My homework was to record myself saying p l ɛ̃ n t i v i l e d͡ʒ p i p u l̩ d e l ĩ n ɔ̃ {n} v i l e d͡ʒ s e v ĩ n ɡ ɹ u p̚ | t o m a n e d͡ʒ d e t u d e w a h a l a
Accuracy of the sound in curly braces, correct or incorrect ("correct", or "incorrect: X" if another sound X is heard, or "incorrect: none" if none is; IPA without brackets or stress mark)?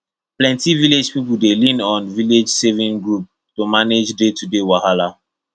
correct